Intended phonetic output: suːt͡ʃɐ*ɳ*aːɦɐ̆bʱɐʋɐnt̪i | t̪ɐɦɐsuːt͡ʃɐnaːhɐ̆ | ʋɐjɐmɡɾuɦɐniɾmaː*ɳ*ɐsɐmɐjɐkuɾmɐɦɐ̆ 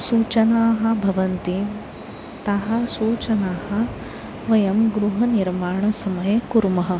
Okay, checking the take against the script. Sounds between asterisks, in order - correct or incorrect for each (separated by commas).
incorrect, correct